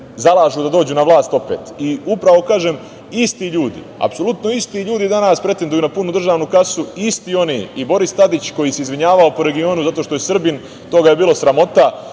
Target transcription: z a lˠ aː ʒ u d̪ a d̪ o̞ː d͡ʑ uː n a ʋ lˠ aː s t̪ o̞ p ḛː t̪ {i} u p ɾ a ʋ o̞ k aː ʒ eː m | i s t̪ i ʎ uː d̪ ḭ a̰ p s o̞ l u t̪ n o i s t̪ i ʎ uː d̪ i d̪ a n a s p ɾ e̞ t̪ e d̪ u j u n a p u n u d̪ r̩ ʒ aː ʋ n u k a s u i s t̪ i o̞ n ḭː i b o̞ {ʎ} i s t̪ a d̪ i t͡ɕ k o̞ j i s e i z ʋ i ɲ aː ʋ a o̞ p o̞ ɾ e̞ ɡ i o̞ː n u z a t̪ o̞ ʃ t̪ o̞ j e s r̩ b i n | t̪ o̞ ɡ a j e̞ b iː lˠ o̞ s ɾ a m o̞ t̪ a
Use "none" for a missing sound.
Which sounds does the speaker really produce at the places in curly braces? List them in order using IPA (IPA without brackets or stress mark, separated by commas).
i, ɾ